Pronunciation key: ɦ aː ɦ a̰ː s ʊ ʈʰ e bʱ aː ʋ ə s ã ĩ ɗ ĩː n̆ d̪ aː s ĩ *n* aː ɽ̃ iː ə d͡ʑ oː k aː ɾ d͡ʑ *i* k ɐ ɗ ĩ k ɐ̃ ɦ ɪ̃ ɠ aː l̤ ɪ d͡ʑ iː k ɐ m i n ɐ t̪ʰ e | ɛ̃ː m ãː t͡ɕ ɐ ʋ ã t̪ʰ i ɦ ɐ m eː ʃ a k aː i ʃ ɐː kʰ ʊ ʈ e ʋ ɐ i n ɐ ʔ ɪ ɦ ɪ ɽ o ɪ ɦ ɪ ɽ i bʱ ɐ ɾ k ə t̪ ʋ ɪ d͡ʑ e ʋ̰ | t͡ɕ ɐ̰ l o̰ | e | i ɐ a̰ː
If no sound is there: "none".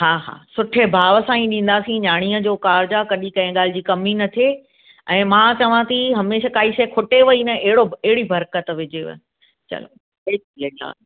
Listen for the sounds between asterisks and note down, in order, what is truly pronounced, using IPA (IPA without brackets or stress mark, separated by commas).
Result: ɲ, a